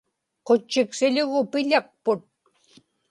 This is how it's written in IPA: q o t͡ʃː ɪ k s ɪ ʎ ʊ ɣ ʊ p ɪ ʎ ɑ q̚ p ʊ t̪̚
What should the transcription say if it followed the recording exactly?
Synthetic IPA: q o t͡ʃː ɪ k s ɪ ʎ ʊ ɣ ʊ p ɪ ʎ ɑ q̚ p ʊ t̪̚